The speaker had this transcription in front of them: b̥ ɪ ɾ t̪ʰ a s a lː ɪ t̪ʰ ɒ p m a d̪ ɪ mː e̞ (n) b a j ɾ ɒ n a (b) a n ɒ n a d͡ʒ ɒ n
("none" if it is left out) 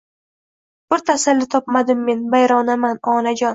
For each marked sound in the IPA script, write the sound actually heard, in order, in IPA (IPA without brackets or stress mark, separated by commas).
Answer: n, m